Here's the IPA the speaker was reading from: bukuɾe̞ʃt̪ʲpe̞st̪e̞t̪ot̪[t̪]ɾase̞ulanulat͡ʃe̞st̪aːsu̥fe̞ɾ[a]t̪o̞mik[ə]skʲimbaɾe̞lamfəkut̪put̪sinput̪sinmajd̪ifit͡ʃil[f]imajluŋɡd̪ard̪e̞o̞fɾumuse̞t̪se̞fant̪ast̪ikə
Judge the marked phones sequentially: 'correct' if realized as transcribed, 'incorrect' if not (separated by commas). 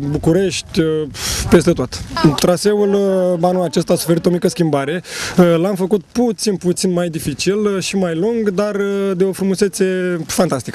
correct, incorrect, correct, incorrect